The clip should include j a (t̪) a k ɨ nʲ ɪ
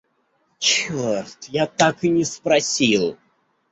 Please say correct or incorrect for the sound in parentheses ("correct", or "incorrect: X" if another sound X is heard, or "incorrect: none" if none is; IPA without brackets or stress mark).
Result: correct